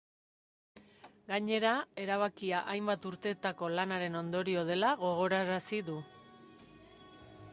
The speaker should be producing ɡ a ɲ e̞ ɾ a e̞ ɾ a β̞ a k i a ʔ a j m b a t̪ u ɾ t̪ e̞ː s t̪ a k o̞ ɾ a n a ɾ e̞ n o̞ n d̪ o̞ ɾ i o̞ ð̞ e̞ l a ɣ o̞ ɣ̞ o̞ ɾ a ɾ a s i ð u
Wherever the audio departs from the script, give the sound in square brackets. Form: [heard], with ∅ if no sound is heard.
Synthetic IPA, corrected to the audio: ɡ a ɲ e̞ ɾ a e̞ ɾ a β̞ a k i a ʔ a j m b a t̪ u ɾ t̪ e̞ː [∅] t̪ a k o̞ [l] a n a ɾ e̞ n o̞ n d̪ o̞ ɾ i o̞ ð̞ e̞ l a ɣ o̞ ɣ̞ o̞ ɾ a ɾ a s i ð u